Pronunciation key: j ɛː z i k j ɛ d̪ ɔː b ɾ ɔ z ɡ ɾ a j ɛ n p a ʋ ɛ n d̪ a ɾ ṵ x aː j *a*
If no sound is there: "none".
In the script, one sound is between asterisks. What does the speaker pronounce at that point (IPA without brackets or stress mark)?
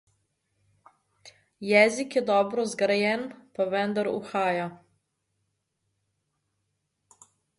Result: a